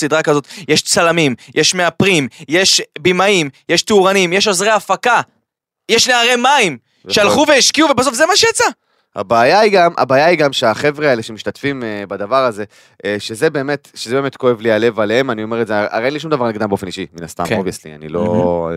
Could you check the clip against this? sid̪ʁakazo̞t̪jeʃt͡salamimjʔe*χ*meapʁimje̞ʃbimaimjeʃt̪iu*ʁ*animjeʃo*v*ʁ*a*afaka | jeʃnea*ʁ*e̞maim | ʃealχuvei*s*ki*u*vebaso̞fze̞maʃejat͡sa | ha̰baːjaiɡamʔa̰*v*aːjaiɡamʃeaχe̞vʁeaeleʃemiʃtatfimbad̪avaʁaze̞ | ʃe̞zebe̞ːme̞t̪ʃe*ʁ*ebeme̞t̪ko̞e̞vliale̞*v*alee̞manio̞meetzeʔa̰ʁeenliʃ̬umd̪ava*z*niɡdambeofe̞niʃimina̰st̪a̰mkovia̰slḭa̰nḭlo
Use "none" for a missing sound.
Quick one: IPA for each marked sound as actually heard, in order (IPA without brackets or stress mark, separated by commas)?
ʃ, ʁ, z, e, ʁ, ʃ, u, b, z, v, ʁ